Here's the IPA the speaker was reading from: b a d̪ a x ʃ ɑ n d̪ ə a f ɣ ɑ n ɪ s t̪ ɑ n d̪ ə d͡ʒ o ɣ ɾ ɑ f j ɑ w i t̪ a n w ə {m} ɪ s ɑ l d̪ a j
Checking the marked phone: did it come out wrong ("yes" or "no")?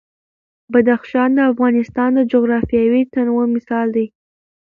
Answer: no